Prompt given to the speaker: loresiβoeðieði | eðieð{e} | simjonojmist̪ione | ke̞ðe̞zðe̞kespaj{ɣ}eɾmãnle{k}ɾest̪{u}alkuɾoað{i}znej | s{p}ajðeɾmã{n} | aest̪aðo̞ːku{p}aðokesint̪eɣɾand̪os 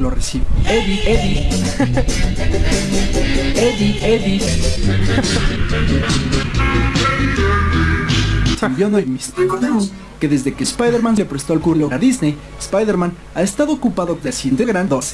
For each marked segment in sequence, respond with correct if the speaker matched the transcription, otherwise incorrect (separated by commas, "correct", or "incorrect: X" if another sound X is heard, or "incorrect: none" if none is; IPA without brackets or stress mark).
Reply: incorrect: i, incorrect: ð, incorrect: p, incorrect: o, correct, correct, correct, correct